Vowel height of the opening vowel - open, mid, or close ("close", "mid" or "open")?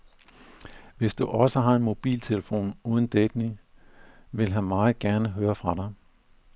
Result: mid